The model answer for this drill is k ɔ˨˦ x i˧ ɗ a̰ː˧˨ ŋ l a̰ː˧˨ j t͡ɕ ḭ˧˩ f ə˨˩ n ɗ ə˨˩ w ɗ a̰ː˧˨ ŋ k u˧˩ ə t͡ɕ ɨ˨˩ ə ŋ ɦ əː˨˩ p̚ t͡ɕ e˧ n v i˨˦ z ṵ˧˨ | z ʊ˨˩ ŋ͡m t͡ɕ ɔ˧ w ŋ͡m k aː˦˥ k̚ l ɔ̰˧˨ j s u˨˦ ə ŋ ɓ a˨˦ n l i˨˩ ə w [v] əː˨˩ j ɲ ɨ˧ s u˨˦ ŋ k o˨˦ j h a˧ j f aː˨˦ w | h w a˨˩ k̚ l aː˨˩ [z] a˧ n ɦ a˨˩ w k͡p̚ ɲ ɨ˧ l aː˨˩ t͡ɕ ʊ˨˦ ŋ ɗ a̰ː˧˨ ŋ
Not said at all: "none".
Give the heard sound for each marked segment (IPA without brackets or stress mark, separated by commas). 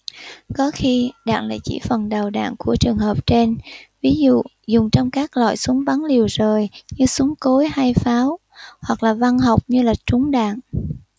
z, v